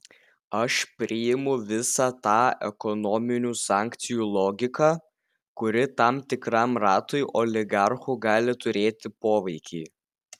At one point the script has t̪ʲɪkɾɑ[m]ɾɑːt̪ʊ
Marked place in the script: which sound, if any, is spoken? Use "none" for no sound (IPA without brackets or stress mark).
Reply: m